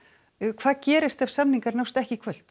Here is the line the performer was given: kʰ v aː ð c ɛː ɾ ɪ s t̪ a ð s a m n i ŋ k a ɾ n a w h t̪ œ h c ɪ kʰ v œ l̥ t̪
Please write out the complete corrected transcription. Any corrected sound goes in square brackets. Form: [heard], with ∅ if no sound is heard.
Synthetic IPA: kʰ v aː ð c ɛː ɾ ɪ s t̪ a [v] s a m n i ŋ k a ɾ n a w [s] t̪ [ɛ] h c ɪ kʰ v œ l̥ t̪